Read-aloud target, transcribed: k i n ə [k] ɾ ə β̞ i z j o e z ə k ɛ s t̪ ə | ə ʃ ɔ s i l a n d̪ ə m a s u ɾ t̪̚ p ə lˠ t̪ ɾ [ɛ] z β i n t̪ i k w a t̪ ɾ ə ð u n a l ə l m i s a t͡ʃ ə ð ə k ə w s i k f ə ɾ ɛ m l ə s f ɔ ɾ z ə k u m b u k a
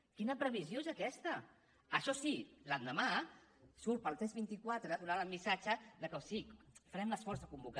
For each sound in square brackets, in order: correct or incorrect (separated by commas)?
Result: incorrect, correct